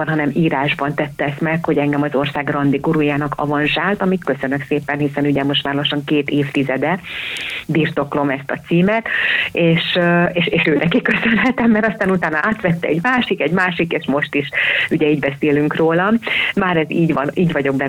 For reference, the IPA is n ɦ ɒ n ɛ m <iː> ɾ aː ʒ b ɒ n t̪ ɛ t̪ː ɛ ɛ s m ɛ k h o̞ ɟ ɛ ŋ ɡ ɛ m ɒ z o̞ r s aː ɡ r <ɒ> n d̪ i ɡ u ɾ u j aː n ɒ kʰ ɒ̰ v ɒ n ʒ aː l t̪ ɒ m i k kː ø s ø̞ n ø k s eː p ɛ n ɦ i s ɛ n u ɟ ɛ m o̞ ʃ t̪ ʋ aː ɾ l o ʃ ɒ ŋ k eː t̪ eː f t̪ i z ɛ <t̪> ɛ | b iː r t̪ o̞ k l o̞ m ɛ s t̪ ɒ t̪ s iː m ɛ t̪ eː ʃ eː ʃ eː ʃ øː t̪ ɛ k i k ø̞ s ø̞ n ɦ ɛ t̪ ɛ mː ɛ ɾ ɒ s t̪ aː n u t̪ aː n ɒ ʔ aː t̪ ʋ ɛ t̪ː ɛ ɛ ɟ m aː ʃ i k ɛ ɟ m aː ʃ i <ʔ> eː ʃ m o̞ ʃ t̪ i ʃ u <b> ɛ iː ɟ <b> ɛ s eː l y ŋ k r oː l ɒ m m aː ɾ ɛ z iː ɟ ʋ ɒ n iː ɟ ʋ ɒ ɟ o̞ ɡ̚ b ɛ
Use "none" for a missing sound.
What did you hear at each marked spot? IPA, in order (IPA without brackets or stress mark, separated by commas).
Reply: iː, ɒ, d̪, k, ɟ, b